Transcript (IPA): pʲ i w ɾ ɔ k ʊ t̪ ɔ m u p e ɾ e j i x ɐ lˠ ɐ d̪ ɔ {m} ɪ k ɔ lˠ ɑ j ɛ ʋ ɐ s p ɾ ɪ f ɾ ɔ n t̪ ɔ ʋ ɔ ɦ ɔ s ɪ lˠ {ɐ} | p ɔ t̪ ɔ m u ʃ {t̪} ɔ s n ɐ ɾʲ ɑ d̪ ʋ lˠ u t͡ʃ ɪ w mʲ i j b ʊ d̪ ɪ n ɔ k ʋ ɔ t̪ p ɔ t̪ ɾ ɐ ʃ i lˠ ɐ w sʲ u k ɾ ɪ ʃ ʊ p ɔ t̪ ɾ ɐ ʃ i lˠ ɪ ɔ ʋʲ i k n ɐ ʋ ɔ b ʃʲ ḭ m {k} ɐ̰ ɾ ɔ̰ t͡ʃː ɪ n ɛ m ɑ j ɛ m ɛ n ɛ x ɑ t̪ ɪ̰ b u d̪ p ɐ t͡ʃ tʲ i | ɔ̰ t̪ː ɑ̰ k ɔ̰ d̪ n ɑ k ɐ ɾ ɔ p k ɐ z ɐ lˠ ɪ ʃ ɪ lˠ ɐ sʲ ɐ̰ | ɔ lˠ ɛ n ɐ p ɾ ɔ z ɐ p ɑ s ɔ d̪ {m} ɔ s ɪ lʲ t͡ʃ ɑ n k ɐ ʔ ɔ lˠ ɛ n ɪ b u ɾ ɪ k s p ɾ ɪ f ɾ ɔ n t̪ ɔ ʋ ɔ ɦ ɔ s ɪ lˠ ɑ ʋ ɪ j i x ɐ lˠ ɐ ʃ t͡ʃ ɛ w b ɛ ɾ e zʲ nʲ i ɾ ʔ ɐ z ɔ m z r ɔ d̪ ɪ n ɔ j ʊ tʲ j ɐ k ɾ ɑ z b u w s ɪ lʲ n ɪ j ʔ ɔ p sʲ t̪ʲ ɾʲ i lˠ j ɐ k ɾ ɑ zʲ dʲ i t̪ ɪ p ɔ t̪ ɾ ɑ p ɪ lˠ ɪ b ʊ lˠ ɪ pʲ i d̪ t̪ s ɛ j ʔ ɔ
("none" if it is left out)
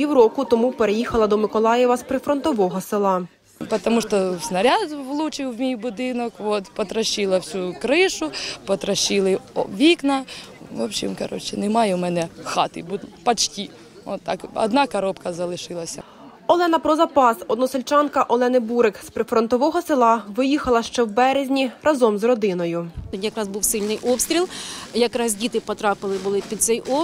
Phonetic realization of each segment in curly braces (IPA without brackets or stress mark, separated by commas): m, ɑ, t̪, k, n